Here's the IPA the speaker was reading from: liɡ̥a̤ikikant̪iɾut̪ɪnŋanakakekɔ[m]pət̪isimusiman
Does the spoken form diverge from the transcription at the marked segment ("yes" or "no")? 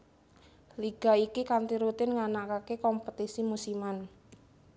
no